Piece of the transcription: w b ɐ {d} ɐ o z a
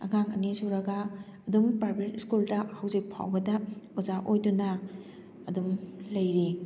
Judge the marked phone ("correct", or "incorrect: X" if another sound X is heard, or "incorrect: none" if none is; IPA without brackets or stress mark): correct